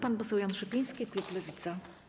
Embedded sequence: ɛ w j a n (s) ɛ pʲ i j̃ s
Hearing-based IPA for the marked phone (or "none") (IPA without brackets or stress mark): ʂ